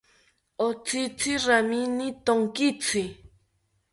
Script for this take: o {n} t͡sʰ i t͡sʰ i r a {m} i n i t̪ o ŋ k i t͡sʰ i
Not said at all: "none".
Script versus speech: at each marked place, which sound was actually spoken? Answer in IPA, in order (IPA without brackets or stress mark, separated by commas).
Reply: none, m